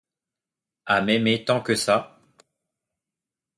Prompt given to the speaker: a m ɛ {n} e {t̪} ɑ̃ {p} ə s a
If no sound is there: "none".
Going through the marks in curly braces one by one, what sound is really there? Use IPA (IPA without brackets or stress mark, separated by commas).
m, t̪, k